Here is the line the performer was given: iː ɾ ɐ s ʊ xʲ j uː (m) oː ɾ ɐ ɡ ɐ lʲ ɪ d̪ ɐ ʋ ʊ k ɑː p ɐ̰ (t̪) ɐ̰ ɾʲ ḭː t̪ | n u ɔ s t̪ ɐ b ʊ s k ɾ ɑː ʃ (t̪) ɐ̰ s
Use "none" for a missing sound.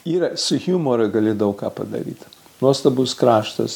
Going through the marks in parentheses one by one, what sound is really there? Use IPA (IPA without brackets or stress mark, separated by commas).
m, d̪, t̪